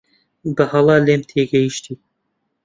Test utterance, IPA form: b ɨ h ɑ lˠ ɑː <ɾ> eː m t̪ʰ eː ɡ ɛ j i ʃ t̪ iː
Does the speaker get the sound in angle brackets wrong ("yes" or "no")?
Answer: yes